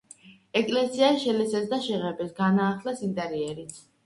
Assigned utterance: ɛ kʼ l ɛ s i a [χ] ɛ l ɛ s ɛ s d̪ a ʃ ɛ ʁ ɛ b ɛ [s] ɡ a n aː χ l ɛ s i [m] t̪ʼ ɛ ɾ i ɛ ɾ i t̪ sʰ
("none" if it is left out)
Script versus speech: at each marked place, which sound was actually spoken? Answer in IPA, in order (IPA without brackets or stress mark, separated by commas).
ʃ, s, n